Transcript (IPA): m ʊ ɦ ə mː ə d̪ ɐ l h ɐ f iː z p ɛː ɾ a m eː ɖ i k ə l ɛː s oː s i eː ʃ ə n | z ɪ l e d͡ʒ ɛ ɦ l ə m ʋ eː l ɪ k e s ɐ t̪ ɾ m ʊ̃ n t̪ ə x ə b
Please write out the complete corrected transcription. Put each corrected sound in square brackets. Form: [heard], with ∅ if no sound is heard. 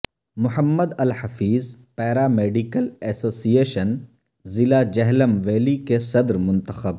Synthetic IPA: m ʊ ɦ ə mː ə d̪ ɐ l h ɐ f iː z p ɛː ɾ a m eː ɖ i k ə l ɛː s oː s i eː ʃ ə n | z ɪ l [a] d͡ʒ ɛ ɦ l ə m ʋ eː l [i] k e s ɐ [d̪] ɾ m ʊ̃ n t̪ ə x ə b